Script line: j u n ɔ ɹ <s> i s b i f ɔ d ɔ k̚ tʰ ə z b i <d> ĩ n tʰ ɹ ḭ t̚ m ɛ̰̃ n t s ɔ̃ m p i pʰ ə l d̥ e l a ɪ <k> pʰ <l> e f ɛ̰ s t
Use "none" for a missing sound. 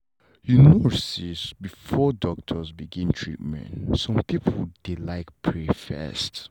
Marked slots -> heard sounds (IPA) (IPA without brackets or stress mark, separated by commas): s, ɡ, k, ɹ